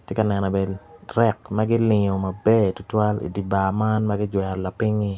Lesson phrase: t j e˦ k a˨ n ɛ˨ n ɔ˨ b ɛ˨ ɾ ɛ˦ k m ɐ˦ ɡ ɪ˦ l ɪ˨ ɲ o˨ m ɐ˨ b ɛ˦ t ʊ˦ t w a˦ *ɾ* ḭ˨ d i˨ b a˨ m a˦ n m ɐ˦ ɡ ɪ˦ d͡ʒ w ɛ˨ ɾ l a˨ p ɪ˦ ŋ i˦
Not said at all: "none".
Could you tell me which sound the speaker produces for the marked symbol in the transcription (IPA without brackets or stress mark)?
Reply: l